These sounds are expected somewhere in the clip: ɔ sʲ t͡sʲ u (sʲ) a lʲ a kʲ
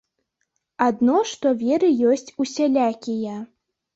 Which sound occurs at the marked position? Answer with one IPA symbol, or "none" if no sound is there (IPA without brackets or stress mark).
sʲ